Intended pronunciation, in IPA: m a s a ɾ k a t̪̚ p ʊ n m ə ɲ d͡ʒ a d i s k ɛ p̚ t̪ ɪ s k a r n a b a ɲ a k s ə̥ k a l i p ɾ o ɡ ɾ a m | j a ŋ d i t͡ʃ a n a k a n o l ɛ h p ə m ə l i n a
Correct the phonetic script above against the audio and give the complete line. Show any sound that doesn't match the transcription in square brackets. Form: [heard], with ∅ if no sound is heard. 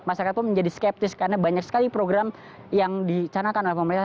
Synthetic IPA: m a s a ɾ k a t̪̚ p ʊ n m ə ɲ d͡ʒ a d i s k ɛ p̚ t̪ ɪ s k a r n a b a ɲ a k s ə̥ k a l i p ɾ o ɡ ɾ a m | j a ŋ d i t͡ʃ a n a k a n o l ɛ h p ə m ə [ɾ] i n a